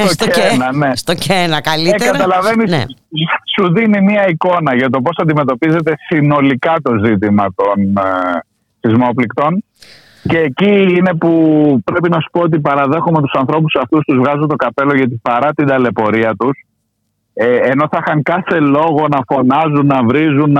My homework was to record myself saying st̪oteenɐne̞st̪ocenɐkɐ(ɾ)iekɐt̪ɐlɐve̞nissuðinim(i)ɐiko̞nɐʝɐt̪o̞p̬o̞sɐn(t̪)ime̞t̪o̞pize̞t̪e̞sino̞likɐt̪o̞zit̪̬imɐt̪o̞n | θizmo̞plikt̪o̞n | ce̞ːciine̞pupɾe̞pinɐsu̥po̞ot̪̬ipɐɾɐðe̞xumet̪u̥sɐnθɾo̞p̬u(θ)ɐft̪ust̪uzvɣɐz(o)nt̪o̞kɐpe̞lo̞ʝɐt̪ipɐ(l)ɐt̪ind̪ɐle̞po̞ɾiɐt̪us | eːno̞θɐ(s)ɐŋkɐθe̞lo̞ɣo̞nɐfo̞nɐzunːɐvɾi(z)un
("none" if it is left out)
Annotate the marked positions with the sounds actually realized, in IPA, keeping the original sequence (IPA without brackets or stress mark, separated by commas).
l, i, d̪, s, u, ɾ, x, z